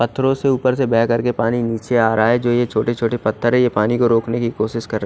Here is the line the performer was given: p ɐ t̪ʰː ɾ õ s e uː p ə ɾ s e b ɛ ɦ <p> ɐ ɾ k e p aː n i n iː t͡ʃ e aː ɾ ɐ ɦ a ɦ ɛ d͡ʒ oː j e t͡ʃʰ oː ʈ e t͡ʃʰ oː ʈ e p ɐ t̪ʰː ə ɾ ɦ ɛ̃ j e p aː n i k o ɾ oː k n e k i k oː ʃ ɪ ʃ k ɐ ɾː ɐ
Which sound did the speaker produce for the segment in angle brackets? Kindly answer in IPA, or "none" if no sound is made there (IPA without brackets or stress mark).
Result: k